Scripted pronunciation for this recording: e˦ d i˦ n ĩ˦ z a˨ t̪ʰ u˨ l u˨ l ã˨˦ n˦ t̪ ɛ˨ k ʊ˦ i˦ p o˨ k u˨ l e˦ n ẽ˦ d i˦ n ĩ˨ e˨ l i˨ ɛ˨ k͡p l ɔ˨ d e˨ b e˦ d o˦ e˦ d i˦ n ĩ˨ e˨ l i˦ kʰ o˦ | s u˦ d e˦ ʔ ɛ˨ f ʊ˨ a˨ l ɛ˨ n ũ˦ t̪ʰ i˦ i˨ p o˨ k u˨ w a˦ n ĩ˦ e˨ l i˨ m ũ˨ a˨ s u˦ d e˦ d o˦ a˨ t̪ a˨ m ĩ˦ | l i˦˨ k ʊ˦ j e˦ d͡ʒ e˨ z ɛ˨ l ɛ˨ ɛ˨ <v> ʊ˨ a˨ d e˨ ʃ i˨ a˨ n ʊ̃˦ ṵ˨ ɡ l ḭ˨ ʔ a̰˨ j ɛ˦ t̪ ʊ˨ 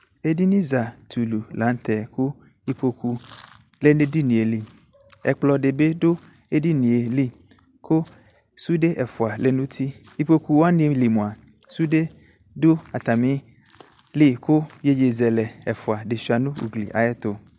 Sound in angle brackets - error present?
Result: yes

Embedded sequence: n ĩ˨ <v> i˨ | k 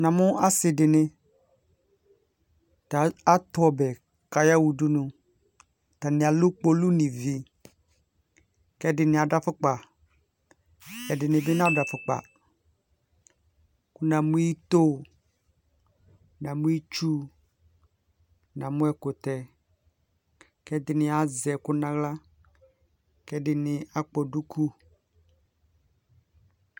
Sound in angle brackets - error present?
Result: no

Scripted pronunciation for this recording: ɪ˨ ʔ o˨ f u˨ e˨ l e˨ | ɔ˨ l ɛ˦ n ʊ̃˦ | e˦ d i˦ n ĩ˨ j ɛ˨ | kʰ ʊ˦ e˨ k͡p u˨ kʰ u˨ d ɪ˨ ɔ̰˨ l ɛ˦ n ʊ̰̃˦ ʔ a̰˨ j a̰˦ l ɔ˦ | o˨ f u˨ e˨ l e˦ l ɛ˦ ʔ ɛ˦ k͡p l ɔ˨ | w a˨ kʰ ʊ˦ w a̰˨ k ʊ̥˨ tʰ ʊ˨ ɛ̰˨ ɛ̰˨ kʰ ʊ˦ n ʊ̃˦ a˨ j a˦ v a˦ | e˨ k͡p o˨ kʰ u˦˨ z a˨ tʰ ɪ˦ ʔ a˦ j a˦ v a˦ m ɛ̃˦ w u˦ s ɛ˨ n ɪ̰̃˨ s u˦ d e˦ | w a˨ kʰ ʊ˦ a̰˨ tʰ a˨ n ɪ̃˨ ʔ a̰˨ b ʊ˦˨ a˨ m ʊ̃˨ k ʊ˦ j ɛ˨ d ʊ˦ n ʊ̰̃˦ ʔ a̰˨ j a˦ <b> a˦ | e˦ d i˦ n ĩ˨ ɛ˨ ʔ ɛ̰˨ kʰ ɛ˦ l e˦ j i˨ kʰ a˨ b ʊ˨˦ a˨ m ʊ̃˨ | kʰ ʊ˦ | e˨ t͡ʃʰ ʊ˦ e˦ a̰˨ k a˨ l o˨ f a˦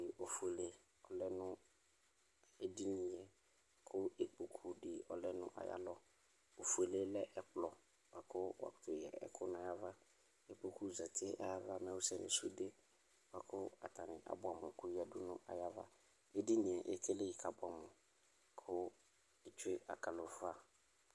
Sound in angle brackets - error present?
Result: yes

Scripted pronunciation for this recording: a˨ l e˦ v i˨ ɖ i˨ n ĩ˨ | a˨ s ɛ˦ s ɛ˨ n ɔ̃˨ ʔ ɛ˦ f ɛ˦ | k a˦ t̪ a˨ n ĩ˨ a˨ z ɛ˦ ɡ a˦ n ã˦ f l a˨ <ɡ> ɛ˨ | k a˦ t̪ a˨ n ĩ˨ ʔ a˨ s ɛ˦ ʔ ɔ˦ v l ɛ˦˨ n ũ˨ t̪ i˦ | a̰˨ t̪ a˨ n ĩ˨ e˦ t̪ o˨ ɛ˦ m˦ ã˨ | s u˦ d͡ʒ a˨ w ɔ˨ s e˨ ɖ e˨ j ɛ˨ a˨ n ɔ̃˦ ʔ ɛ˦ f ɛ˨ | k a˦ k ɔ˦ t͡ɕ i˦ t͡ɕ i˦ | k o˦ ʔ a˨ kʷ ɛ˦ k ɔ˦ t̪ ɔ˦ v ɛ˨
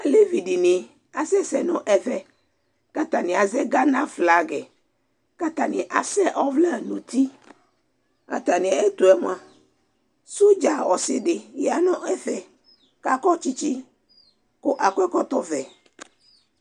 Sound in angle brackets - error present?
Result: no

